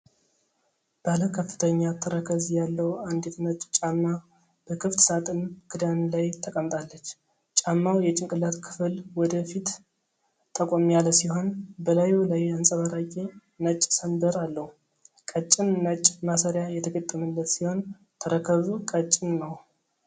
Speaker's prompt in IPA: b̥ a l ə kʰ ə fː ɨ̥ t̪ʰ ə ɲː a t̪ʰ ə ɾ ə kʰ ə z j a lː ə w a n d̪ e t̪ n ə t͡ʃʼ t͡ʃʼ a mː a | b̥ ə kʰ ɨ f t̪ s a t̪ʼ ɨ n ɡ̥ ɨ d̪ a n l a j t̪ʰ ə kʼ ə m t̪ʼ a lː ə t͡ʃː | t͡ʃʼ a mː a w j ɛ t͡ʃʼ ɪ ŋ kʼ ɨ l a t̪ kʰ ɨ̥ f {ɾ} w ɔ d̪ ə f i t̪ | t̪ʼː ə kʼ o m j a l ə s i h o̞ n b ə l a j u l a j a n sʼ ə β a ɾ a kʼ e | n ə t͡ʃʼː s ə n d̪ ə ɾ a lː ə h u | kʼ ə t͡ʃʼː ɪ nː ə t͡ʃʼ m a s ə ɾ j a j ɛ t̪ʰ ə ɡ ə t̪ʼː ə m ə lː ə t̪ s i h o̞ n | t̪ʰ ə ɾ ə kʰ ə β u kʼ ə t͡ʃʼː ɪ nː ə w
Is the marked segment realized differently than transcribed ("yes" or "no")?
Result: yes